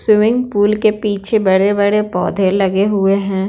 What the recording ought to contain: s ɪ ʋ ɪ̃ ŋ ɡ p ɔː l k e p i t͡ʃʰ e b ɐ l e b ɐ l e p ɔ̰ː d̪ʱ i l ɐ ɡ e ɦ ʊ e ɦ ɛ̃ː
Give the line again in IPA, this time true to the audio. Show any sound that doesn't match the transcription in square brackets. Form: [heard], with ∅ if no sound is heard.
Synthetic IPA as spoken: s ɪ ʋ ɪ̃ ŋ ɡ p [uː] l k e p [iː] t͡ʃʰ e b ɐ [ɽ] e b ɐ [ɽ] e p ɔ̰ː d̪ʱ [e] l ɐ ɡ e ɦ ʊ e ɦ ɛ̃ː

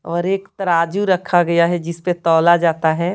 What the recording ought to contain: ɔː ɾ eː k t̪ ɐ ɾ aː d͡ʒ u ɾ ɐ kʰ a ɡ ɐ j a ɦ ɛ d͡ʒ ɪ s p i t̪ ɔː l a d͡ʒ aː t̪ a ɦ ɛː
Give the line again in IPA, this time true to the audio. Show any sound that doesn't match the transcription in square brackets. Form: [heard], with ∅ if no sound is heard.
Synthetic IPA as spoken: ɔː ɾ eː k t̪ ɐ ɾ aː d͡ʒ u ɾ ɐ kʰ a ɡ ɐ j a ɦ ɛ d͡ʒ ɪ s p [e] t̪ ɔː l a d͡ʒ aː t̪ a ɦ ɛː

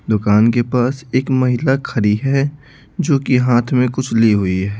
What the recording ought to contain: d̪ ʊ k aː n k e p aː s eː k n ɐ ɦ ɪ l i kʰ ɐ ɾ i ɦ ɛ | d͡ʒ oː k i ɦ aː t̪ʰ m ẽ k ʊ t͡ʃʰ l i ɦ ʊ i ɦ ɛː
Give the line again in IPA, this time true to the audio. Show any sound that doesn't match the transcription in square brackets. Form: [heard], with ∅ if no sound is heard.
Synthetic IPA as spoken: d̪ ʊ k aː n k e p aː s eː k [m] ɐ ɦ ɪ l [a] kʰ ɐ ɾ i ɦ ɛ | d͡ʒ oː k i ɦ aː t̪ʰ m ẽ k ʊ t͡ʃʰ l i ɦ ʊ i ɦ ɛː

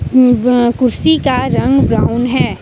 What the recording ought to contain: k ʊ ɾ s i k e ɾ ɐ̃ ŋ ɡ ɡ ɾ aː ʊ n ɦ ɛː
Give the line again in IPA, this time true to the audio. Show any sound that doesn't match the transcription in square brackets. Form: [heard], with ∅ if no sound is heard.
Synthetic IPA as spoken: k ʊ ɾ s i k [a] ɾ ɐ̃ ŋ ɡ [b] ɾ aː ʊ n ɦ ɛː

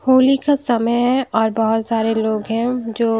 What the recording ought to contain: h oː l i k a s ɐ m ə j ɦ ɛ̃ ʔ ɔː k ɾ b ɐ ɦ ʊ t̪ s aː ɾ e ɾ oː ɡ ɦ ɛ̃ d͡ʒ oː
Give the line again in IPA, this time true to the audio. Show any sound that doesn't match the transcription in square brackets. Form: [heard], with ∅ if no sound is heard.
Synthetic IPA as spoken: h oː l i k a s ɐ m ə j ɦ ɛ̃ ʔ ɔː [∅] ɾ b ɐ ɦ ʊ t̪ s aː ɾ e [l] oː ɡ ɦ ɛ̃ d͡ʒ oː

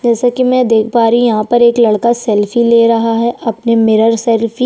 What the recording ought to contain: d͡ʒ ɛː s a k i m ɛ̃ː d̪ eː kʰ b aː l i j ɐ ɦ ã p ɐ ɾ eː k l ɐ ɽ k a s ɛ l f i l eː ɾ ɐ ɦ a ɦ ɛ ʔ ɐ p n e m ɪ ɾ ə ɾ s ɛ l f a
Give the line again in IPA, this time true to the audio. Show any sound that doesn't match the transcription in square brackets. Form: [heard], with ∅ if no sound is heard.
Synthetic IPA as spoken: d͡ʒ ɛː s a k i m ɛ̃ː d̪ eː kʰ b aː [ɾ] i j ɐ ɦ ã p ɐ ɾ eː k l ɐ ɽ k a s ɛ l f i l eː ɾ ɐ ɦ a ɦ ɛ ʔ ɐ p n e m ɪ ɾ ə ɾ s ɛ l f [i]

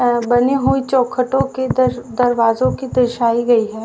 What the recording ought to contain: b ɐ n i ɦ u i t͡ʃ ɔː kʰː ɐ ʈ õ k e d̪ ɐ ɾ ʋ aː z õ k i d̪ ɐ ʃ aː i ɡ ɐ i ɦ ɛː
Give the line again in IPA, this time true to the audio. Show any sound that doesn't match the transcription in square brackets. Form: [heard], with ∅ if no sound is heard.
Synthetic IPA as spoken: b ɐ n i ɦ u i t͡ʃ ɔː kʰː [ə] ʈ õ k e d̪ ɐ ɾ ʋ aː z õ k i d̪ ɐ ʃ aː i ɡ ɐ i ɦ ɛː

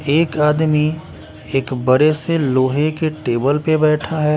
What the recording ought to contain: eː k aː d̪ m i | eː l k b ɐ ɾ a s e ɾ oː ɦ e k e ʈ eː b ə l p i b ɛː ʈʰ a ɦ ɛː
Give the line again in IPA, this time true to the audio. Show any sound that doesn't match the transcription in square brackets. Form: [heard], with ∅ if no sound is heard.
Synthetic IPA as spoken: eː k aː d̪ m i | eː [∅] k b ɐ ɾ [e] s e [l] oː ɦ e k e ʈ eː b ə l p [e] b ɛː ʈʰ a ɦ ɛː

